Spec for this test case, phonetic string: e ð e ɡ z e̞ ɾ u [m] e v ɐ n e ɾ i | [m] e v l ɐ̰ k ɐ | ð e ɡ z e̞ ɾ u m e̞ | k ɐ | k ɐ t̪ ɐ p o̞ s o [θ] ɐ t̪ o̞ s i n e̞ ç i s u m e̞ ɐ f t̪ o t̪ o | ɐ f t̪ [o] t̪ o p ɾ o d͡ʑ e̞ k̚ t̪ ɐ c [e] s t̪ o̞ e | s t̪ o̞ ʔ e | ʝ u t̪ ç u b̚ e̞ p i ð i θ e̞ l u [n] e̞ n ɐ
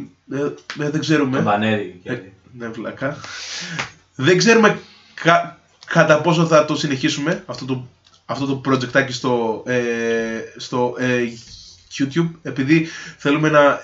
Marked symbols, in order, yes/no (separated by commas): yes, no, yes, yes, no, no